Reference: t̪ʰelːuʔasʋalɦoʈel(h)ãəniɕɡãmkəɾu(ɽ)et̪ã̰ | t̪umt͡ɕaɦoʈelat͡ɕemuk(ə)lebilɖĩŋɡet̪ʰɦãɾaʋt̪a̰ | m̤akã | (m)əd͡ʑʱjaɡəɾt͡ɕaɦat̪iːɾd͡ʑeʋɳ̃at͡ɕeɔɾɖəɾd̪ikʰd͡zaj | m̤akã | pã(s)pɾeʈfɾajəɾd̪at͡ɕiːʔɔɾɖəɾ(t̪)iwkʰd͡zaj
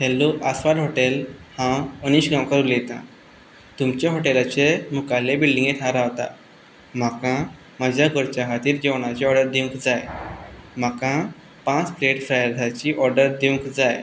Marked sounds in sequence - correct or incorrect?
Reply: correct, incorrect, incorrect, correct, incorrect, incorrect

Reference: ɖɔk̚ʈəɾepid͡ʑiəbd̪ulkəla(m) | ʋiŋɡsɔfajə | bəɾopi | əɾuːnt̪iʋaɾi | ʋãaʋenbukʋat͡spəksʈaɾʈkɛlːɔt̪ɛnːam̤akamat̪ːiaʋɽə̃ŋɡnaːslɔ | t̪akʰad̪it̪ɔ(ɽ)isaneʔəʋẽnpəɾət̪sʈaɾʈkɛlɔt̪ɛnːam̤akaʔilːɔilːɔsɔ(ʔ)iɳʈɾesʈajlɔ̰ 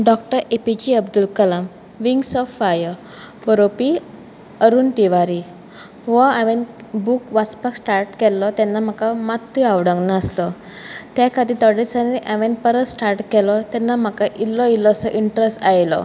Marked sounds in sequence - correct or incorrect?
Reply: correct, correct, correct

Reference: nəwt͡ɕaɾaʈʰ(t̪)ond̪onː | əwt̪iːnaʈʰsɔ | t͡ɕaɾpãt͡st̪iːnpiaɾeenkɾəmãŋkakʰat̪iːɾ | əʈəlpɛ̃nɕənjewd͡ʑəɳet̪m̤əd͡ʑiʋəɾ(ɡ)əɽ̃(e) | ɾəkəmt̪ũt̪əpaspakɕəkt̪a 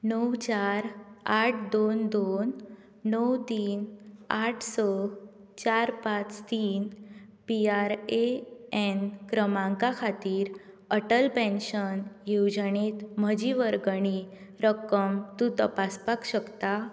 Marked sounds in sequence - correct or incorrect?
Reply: incorrect, correct, incorrect

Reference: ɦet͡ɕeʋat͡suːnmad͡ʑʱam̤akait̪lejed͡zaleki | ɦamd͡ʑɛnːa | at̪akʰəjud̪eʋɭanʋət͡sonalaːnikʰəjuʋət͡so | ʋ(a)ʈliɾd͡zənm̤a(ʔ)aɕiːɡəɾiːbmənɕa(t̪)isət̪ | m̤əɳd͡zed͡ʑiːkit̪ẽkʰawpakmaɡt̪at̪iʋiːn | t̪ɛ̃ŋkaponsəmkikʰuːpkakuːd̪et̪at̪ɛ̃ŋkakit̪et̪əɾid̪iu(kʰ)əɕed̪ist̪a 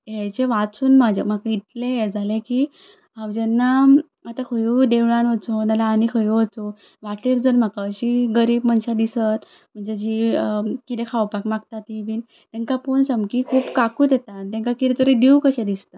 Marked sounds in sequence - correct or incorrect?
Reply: correct, incorrect, incorrect, incorrect

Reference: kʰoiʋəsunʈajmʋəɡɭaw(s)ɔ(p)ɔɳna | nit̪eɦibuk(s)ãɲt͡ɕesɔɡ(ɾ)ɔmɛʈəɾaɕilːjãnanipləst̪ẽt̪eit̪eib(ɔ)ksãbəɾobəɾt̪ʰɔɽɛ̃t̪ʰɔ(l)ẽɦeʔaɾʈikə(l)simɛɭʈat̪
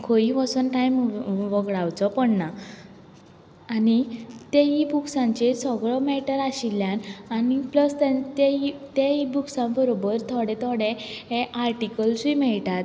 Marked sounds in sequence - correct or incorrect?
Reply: incorrect, correct, correct, incorrect, incorrect, incorrect, correct

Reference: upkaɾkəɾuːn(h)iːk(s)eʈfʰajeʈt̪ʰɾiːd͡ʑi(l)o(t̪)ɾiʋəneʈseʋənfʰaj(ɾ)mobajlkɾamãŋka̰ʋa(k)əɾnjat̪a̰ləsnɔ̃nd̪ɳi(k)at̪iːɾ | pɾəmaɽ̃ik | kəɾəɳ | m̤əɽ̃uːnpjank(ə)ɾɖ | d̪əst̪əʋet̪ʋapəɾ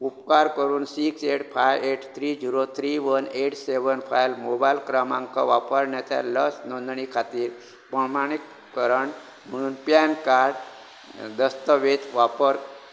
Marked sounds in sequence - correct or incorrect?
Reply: incorrect, correct, incorrect, incorrect, incorrect, incorrect, incorrect, incorrect

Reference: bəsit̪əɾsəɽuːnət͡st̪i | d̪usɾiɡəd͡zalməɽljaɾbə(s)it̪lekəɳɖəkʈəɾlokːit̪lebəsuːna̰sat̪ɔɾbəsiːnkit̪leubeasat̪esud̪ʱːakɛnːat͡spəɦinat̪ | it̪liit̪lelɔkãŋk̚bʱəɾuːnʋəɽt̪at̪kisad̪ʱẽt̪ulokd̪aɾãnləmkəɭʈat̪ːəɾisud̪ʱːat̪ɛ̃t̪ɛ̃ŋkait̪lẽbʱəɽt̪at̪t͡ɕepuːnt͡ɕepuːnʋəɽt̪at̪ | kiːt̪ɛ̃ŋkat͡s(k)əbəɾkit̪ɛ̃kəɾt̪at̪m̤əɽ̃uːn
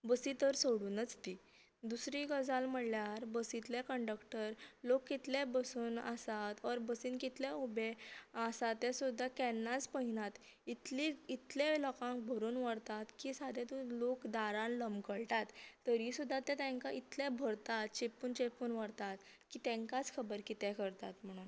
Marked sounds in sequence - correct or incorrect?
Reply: correct, incorrect

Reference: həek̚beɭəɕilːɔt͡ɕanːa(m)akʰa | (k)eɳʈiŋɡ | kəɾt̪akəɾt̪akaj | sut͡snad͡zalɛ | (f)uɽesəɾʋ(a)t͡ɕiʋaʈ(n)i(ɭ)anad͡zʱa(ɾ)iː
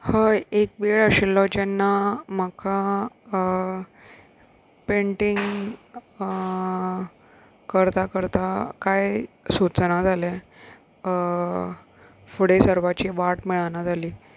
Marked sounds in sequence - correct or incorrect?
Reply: correct, incorrect, correct, correct, incorrect, correct, incorrect

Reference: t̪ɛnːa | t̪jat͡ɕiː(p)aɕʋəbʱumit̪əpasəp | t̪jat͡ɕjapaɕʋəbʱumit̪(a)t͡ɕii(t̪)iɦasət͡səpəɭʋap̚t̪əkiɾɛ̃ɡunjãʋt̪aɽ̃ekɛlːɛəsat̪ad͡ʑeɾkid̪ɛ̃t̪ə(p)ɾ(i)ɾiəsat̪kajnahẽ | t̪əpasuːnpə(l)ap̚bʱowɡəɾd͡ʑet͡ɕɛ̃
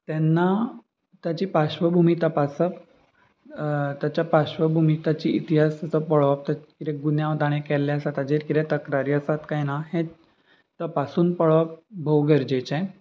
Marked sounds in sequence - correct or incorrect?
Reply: correct, correct, correct, incorrect, incorrect, incorrect

